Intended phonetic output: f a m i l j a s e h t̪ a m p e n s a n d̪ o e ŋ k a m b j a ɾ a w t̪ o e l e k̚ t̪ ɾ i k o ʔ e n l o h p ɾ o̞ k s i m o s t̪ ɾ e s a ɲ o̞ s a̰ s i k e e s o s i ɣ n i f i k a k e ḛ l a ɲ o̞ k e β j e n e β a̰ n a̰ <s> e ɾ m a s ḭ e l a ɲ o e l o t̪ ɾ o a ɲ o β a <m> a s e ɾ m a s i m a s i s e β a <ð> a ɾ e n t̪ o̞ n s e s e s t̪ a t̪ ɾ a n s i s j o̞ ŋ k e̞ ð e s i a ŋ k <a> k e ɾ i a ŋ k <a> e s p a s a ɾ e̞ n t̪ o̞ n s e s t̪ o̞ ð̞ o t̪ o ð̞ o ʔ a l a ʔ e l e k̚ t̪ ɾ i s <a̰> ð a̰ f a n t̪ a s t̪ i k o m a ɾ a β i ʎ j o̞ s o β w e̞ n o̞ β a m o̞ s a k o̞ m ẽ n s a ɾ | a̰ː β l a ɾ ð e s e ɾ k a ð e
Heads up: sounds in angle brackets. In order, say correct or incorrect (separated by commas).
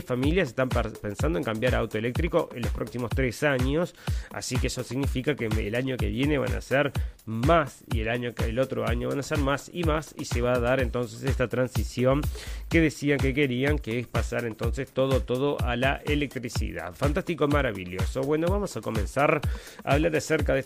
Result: correct, incorrect, correct, incorrect, incorrect, incorrect